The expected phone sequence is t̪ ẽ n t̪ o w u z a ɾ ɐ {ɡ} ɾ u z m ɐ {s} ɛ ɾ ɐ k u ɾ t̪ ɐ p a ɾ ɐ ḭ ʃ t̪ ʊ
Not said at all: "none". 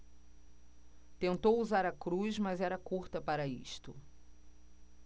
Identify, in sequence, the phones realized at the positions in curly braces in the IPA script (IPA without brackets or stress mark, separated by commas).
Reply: k, z